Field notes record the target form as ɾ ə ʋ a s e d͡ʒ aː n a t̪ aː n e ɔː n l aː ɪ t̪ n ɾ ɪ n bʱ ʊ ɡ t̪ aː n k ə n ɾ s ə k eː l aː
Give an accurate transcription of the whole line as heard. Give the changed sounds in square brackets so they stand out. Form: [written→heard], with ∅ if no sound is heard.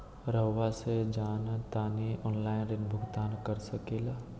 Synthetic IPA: ɾ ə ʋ a s e d͡ʒ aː n a t̪ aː n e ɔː n l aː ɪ [t̪→∅] n ɾ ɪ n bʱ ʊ ɡ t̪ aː n k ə [n→∅] ɾ s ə k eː l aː